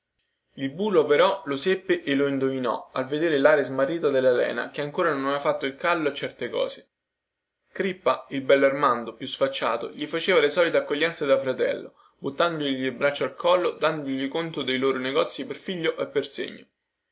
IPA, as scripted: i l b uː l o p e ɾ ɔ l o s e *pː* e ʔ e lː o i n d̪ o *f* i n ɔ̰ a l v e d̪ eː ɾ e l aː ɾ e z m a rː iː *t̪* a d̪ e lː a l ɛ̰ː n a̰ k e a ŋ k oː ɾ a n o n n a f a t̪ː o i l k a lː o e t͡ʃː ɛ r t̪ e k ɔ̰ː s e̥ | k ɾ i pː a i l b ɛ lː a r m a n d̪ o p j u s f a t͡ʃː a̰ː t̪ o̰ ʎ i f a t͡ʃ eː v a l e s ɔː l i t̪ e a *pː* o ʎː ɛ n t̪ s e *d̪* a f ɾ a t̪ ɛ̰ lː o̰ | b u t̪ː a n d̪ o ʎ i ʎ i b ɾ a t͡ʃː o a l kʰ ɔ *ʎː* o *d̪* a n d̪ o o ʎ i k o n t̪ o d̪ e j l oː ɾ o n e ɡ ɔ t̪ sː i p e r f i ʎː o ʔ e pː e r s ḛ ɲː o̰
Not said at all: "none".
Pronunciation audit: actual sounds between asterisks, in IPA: pː, v, t̪, kː, d̪, lː, d̪

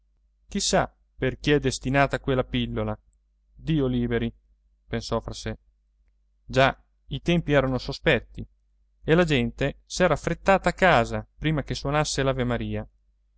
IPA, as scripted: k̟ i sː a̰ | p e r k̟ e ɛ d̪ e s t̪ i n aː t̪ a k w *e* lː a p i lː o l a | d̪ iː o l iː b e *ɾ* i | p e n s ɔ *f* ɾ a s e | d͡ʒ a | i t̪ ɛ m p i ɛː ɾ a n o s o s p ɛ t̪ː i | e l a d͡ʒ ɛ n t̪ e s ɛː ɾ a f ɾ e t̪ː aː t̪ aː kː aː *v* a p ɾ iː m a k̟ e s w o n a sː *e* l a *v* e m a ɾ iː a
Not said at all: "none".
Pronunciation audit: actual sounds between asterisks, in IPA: e, ɾ, f, z, e, v

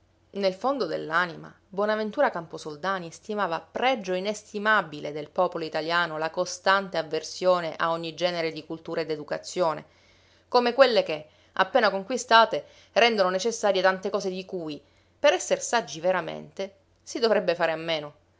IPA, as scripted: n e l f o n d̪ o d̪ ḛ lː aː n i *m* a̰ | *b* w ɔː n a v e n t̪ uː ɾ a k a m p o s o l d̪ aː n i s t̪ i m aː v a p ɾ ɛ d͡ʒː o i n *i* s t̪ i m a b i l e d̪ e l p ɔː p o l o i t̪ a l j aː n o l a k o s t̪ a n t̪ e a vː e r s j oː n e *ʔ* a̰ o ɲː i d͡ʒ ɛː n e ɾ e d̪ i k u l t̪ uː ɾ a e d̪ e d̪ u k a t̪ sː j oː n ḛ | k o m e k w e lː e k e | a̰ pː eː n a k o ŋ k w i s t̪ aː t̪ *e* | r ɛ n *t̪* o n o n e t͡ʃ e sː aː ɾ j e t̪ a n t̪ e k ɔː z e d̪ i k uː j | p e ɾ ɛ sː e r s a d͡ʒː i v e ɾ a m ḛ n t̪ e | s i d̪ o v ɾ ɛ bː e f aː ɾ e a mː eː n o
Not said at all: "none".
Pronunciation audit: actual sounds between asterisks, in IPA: m, b, e, ʔ, e, d̪

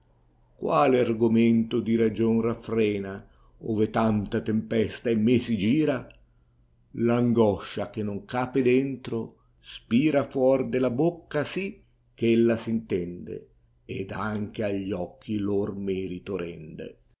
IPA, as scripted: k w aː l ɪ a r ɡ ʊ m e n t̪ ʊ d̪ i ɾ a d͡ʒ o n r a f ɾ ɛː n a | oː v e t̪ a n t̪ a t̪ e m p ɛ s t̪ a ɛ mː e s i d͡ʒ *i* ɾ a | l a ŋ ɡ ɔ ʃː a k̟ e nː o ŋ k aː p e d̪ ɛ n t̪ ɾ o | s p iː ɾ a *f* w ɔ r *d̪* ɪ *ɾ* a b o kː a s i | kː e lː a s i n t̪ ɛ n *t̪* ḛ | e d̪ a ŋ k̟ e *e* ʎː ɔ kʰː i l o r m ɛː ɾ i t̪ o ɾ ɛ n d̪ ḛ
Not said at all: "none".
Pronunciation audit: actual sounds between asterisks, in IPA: iː, f, d̪, l, d̪, a

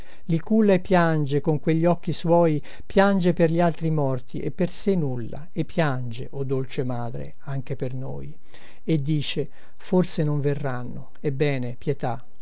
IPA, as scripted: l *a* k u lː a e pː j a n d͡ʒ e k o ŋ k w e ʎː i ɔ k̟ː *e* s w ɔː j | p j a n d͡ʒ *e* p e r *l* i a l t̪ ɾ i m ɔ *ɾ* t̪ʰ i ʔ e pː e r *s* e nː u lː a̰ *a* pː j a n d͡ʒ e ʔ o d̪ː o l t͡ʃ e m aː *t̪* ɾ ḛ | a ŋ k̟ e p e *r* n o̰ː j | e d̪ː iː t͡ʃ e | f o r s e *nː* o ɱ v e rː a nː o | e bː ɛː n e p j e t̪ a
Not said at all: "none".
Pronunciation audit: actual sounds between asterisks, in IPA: i, i, e, ʎ, r, s, e, d̪, r, n

